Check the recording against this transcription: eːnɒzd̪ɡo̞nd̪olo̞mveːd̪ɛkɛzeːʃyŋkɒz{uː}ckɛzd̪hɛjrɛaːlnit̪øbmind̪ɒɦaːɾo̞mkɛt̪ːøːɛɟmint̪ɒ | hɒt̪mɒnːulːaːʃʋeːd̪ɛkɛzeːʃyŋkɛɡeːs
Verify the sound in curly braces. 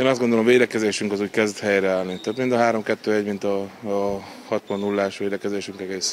correct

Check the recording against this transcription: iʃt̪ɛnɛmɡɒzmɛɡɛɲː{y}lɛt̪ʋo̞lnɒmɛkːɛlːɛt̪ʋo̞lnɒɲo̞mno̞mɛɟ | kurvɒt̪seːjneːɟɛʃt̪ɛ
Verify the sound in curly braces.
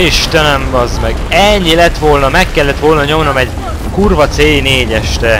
incorrect: i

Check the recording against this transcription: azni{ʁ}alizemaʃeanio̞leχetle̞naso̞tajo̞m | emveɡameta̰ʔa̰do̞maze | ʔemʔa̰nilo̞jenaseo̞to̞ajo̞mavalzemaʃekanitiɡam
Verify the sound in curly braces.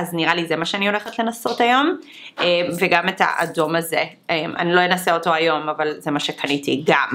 correct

